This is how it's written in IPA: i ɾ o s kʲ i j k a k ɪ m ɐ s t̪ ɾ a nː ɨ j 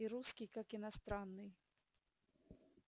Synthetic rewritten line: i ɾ u s kʲ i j k a k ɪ n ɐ s t̪ ɾ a nː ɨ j